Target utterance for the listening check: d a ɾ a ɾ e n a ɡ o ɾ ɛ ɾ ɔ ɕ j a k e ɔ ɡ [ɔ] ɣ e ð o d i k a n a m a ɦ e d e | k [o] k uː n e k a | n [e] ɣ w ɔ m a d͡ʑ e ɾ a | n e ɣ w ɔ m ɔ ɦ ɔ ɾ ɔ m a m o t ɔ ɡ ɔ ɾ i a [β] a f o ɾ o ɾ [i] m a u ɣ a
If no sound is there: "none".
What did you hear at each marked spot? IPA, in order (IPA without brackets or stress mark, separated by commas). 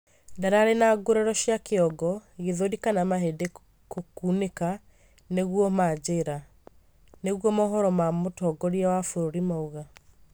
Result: ɔ, o, e, w, i